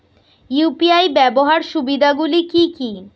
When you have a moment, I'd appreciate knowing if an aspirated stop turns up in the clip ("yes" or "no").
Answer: no